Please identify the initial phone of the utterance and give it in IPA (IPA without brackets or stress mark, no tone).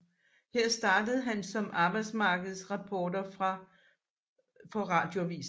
h